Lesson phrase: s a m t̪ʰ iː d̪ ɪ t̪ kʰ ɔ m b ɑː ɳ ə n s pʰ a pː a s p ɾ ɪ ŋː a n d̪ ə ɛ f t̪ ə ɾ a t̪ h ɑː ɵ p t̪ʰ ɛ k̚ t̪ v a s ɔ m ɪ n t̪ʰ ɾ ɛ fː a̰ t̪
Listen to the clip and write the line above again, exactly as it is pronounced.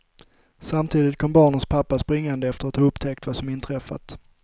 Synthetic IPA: s a m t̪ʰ iː d̪ ɪ t̪ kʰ ɔ m b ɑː ɳ ə n s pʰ a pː a s p ɾ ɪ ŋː a n d̪ ə ɛ f t̪ ə ɾ a t̪ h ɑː ɵ p t̪ʰ ɛ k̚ t̪ v a s ɔ m ɪ n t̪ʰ ɾ ɛ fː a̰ t̪

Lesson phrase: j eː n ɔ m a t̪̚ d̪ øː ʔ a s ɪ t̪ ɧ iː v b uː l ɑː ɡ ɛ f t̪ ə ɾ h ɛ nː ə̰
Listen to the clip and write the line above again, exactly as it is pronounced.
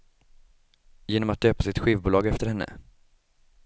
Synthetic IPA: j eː n ɔ m a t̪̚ d̪ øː p a s ɪ t̪ ɧ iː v b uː l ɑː ɡ ɛ f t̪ ə ɾ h ɛ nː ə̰

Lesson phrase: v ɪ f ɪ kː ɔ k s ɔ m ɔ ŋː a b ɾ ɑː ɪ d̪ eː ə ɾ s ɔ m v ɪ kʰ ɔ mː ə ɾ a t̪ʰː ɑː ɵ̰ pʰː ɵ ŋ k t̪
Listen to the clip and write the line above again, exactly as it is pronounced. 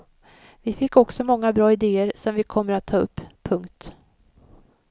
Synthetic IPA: v ɪ f ɪ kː ɔ k s ɔ m ɔ ŋː a b ɾ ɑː ɪ d̪ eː ə ɾ s ɔ m v ɪ kʰ ɔ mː ə ɾ a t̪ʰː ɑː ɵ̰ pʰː ɵ ŋ k t̪

